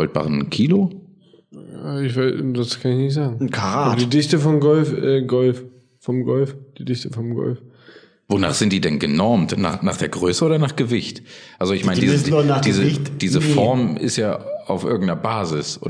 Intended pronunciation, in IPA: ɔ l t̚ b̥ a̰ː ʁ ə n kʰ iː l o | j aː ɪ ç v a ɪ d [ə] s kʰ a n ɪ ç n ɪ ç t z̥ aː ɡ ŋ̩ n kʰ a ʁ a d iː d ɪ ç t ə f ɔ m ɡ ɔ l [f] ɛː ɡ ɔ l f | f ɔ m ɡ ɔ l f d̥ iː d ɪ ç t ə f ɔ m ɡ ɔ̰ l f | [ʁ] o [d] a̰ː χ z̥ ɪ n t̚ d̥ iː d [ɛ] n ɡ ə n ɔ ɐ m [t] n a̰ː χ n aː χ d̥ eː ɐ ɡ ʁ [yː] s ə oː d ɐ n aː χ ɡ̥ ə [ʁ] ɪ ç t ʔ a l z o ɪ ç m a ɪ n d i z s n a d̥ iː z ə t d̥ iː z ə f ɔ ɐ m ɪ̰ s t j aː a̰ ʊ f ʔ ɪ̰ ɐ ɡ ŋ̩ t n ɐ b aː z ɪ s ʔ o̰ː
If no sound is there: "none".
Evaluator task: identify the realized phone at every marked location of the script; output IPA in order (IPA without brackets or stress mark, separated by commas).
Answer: a, f, v, n, ɛ, t, øː, v